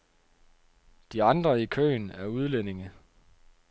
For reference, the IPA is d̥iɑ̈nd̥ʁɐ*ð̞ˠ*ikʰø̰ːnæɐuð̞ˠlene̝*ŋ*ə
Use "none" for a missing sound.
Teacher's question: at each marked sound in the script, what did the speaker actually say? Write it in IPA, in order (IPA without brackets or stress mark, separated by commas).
none, ŋ